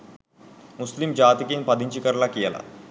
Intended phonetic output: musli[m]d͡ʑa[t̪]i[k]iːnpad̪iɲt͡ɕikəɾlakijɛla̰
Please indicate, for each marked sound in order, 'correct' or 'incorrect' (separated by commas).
correct, correct, correct